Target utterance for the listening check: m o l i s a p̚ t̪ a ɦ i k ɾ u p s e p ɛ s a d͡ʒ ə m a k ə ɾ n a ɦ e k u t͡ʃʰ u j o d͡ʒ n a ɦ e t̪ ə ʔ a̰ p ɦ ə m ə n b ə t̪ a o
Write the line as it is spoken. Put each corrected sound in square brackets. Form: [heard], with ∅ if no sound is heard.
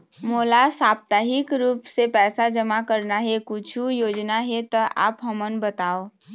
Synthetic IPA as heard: m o l [a] s a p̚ t̪ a ɦ i k ɾ u p s e p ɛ s a d͡ʒ ə m a k ə ɾ n a ɦ e k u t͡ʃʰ u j o d͡ʒ n a ɦ e t̪ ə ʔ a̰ p ɦ ə m ə n b ə t̪ a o